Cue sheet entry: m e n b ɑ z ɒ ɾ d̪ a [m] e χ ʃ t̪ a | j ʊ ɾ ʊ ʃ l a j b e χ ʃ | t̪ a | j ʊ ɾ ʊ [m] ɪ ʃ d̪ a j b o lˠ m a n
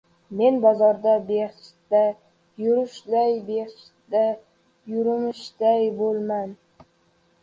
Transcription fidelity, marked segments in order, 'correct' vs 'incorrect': incorrect: b, correct

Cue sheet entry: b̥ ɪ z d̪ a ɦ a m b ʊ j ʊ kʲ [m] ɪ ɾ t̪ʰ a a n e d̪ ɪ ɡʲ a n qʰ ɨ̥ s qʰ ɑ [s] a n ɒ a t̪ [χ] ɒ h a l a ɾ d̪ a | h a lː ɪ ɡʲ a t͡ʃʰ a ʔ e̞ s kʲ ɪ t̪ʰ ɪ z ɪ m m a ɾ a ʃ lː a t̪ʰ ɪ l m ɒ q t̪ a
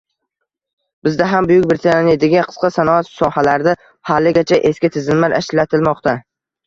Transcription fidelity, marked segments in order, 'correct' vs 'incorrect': incorrect: b, correct, incorrect: s

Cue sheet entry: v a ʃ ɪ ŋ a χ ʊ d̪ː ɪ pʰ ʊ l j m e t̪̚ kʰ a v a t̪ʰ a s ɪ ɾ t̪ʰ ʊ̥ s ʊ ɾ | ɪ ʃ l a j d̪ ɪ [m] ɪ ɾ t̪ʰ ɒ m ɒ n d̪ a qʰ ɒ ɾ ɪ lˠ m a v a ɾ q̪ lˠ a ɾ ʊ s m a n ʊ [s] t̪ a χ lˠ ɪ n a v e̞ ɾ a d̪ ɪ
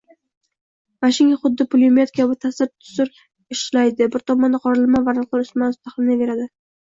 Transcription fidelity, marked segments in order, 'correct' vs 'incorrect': incorrect: b, correct

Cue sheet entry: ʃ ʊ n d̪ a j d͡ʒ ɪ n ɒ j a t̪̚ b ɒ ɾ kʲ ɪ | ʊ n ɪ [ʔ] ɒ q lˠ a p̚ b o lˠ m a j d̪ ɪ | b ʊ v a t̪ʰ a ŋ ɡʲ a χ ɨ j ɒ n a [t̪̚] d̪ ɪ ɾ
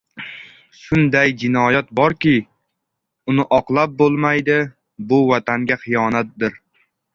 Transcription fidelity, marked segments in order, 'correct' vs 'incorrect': correct, correct

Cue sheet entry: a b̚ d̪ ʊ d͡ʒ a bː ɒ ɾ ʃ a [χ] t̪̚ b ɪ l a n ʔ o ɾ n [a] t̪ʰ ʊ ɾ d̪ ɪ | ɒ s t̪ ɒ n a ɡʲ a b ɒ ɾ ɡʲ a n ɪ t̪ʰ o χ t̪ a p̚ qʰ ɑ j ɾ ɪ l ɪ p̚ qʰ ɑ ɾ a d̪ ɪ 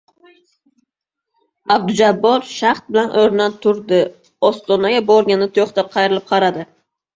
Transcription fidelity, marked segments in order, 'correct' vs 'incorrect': correct, correct

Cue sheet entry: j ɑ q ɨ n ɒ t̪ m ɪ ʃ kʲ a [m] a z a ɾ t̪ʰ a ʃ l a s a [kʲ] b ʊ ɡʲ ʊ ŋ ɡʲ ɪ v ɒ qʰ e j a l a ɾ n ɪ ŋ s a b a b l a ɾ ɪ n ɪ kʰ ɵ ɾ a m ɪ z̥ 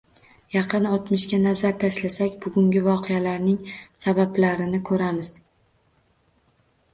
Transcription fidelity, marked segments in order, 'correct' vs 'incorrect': incorrect: n, correct

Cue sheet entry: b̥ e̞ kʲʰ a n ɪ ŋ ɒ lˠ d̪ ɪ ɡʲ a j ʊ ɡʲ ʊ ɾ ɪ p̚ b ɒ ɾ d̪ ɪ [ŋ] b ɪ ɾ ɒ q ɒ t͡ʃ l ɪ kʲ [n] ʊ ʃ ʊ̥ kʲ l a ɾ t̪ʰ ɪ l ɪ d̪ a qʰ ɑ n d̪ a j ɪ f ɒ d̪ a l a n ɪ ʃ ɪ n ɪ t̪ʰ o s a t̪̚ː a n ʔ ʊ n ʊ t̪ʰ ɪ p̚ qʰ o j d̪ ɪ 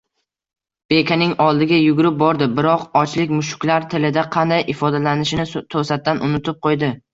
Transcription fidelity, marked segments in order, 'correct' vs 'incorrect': incorrect: none, incorrect: m

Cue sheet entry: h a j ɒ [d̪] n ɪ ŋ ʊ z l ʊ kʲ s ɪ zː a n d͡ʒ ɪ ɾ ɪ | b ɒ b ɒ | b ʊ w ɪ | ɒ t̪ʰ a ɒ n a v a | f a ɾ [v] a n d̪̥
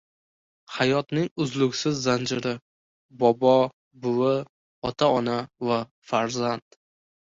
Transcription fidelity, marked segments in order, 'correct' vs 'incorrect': incorrect: t̪, incorrect: z

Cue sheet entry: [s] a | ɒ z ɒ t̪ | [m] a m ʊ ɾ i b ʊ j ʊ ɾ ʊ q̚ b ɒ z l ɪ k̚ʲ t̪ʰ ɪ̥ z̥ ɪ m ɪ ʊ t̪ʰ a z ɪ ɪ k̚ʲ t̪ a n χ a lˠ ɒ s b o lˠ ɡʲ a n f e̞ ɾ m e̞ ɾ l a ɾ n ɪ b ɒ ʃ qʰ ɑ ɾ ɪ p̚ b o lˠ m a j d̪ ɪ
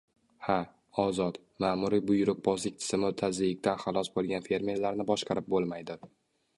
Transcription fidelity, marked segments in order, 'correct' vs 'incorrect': incorrect: h, correct

